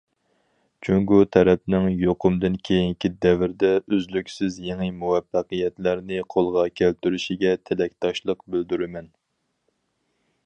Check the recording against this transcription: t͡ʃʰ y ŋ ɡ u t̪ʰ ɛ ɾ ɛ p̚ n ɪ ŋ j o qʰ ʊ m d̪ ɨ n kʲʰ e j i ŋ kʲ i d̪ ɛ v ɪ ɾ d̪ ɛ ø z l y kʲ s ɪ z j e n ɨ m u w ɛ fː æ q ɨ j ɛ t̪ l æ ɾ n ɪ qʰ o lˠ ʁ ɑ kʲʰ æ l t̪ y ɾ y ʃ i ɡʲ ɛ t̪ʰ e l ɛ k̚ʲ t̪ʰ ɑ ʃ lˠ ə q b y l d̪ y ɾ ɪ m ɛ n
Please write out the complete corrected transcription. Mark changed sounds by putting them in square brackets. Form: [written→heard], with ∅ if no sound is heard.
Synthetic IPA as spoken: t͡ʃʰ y ŋ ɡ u t̪ʰ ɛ ɾ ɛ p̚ n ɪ ŋ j o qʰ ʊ m d̪ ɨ n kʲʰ e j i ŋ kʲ i d̪ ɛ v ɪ ɾ d̪ ɛ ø z l y kʲ s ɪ z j e [n→ŋ] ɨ m u w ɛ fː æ q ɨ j ɛ t̪ l æ ɾ n ɪ qʰ o lˠ ʁ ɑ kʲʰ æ l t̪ y ɾ y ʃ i ɡʲ ɛ t̪ʰ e l ɛ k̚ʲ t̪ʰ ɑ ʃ lˠ ə q b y l d̪ y ɾ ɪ m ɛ n